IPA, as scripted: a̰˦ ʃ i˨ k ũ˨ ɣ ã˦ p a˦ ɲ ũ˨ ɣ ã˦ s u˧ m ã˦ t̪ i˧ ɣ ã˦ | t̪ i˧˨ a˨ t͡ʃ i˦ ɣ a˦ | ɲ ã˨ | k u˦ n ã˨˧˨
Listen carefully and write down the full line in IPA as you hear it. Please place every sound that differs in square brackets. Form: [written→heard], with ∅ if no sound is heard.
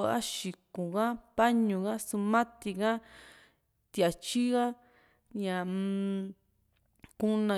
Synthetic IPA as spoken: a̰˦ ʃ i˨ k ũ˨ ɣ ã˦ p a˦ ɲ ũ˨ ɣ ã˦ s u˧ m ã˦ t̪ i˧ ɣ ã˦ | t̪ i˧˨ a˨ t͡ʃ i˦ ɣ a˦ | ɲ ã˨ | k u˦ n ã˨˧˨

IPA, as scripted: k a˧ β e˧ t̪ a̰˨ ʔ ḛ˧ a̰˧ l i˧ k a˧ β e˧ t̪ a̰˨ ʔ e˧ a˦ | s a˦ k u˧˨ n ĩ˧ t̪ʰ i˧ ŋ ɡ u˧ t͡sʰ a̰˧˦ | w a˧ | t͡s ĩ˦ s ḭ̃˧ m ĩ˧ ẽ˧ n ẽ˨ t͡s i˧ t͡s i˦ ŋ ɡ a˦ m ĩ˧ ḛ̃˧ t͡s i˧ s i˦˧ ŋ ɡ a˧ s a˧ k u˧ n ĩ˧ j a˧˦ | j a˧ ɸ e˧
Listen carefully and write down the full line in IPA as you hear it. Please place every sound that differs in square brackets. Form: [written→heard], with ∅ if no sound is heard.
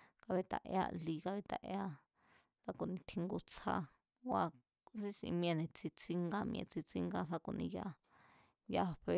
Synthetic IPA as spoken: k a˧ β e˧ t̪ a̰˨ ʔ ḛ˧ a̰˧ l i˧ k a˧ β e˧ t̪ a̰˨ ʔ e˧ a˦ | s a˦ k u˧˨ n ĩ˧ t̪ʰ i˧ ŋ ɡ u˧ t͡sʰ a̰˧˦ | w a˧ | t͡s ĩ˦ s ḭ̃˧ m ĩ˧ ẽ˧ n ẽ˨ t͡s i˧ t͡s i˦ ŋ ɡ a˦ m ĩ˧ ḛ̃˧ t͡s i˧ [s→t͡s] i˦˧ ŋ ɡ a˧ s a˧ k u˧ n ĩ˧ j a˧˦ | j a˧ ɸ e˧

